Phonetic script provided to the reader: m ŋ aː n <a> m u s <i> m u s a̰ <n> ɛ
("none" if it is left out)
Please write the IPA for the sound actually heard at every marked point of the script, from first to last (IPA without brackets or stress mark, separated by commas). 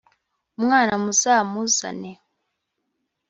a, a, n